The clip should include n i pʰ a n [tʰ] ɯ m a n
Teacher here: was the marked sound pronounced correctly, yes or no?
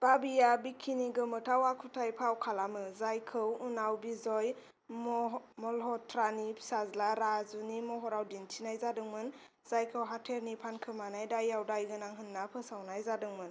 no